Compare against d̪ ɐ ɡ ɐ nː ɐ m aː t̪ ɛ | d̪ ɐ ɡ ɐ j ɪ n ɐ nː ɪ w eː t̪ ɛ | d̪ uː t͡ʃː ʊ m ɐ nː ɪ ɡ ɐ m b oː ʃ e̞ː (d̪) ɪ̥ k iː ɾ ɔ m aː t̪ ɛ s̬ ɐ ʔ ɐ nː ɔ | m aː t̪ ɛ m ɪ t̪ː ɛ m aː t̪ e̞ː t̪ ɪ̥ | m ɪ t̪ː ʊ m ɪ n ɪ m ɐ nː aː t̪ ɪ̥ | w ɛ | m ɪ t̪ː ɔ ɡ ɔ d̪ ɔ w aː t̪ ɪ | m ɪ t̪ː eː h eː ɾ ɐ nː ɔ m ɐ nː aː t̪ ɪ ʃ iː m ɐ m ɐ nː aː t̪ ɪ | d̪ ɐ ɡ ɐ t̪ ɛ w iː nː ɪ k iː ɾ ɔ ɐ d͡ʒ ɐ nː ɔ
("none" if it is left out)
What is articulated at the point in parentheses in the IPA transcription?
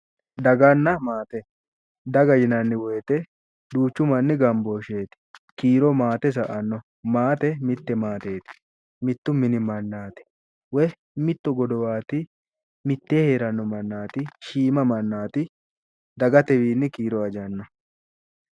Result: t̪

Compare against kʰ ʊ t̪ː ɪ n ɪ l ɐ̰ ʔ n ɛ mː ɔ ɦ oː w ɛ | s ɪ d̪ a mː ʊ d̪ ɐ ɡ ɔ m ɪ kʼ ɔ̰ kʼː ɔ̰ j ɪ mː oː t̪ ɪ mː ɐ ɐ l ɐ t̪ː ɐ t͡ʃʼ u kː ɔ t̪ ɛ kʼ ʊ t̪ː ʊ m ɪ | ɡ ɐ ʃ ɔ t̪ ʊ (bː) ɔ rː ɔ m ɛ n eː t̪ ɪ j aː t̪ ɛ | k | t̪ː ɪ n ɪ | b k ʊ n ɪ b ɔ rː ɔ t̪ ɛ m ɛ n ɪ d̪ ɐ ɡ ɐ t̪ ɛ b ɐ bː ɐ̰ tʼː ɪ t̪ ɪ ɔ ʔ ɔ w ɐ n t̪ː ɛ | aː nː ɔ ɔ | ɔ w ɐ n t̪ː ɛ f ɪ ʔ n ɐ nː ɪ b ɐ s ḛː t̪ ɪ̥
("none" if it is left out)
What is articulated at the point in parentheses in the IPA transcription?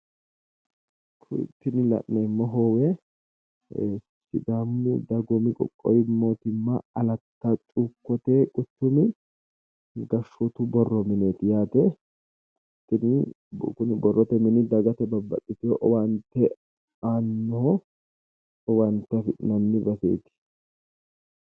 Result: b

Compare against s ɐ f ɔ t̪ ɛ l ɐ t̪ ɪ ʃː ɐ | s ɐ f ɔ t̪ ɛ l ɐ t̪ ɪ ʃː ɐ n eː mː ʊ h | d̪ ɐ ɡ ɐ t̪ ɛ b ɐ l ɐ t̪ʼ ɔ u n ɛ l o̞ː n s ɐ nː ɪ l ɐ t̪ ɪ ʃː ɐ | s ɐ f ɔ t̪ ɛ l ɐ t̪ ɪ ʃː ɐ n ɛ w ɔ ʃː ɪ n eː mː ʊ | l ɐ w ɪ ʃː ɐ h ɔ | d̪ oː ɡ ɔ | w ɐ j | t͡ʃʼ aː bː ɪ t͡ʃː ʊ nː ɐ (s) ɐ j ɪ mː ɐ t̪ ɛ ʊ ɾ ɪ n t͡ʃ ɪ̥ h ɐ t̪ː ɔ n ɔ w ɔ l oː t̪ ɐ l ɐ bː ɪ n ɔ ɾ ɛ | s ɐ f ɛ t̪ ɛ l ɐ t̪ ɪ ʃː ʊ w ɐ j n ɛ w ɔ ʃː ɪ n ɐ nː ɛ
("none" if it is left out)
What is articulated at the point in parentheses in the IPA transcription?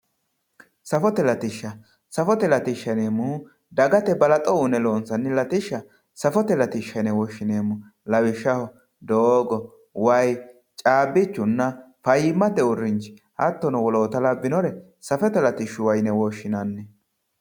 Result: f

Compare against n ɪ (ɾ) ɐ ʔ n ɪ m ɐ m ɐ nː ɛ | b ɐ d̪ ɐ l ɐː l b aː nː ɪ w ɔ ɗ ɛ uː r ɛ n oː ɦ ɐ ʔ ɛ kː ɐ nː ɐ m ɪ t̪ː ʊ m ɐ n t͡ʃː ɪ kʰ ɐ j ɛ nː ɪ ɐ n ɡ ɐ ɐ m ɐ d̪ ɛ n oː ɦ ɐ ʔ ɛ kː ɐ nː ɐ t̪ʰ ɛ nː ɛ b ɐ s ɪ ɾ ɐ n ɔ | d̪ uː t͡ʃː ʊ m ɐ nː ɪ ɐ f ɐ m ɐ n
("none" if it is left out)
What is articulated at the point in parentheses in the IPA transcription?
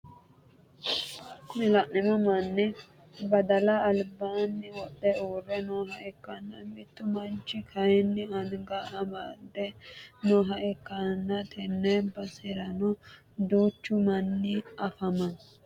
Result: l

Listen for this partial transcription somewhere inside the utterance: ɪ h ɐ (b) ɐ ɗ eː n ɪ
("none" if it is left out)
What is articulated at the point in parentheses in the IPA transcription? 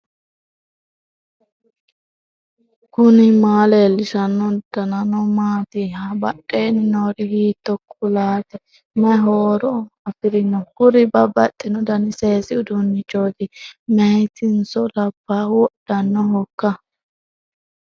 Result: b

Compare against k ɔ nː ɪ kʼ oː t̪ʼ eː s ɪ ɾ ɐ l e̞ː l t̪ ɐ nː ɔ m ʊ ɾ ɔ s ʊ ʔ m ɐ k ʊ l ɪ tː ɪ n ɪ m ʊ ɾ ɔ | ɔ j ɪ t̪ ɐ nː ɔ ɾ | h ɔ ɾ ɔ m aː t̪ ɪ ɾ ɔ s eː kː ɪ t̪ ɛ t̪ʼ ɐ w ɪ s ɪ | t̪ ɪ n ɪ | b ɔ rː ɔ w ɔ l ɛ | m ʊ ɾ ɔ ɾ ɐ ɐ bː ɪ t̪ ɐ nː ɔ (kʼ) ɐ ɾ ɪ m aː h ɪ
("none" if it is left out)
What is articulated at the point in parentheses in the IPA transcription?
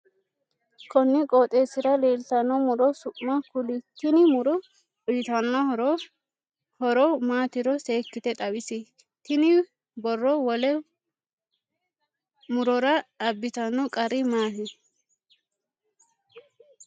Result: kʼ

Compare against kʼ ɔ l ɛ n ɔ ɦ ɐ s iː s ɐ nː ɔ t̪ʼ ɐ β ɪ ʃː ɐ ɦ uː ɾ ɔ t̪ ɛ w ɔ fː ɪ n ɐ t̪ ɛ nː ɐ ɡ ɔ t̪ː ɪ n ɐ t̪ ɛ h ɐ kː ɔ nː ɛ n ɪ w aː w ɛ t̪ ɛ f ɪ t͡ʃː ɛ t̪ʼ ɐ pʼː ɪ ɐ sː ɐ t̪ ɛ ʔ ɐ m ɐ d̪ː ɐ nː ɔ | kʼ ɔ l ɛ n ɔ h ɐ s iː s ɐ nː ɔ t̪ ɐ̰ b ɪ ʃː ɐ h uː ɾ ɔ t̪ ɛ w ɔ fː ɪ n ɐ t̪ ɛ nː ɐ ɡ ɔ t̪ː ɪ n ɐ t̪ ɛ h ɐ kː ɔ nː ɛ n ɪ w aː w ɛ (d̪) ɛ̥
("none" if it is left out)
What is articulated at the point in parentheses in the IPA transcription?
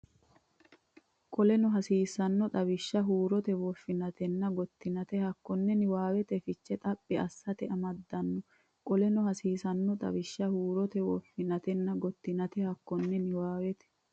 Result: t̪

